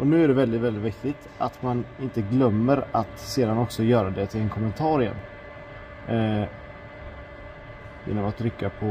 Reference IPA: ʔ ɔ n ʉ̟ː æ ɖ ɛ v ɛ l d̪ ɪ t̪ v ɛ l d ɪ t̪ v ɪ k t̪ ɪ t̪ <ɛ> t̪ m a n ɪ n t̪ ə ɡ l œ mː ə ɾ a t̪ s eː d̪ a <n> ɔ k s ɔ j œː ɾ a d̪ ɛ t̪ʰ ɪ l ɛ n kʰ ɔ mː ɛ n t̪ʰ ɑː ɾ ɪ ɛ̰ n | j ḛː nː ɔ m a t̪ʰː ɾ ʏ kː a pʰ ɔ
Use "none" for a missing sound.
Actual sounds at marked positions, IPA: a, n

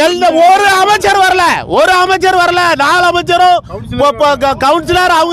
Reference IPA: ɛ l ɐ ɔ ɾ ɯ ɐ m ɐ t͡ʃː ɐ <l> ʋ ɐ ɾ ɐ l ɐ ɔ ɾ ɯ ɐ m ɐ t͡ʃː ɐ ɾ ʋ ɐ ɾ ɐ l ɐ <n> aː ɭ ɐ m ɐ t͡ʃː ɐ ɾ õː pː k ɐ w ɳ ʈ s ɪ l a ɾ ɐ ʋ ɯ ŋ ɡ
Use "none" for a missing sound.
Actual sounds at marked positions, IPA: ɾ, n

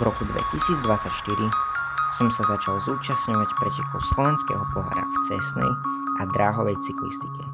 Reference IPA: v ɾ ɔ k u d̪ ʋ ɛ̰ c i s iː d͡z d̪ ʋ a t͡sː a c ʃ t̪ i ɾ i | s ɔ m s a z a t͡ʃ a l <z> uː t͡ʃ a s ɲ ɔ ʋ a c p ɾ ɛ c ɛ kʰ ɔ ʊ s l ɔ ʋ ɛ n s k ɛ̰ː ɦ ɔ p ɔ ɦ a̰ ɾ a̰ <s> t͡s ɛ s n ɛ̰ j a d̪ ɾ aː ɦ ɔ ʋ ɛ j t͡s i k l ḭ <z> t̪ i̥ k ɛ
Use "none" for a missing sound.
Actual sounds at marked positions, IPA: z, f, s

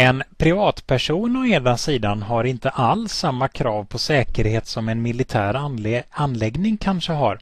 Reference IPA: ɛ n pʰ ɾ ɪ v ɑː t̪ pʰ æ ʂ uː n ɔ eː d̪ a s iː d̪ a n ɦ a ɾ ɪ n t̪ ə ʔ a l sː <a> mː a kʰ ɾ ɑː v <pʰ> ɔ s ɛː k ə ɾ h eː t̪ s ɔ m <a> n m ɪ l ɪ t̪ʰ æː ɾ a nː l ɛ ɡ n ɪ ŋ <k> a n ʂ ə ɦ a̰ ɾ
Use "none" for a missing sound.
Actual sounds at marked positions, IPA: a, pʰ, ɛ, kʰ

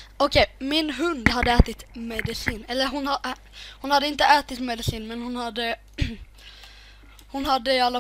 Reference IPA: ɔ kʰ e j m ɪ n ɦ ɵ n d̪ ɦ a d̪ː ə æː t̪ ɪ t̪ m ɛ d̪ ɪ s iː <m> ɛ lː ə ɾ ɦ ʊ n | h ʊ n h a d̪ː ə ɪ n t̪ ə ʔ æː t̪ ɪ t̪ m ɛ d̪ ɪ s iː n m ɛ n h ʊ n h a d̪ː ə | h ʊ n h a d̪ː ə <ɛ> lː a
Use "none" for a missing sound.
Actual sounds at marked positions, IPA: n, a

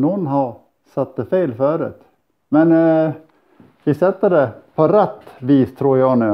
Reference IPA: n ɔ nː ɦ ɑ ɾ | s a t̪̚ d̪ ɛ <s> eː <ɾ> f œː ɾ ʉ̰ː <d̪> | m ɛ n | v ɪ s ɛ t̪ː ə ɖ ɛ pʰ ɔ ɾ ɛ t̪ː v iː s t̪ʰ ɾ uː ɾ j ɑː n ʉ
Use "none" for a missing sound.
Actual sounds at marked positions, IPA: f, l, t̪

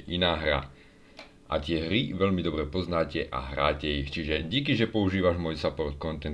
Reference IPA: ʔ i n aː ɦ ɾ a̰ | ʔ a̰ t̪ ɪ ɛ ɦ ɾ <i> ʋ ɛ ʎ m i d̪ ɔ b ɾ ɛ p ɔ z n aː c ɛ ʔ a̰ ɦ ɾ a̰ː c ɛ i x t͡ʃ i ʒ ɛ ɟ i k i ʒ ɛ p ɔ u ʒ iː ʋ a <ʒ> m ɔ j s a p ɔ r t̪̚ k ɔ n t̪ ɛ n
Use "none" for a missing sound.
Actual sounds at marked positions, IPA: i, ʒ

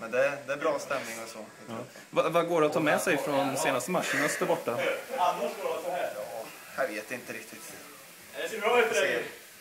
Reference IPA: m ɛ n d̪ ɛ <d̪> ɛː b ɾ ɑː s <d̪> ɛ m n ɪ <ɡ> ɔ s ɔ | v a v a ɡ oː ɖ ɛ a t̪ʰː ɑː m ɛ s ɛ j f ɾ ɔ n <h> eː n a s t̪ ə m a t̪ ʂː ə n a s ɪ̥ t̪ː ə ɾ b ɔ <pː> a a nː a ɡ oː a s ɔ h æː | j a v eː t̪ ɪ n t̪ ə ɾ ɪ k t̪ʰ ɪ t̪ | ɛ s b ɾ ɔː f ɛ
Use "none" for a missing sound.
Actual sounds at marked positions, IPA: d̪, t̪, ŋ, s, ʈː

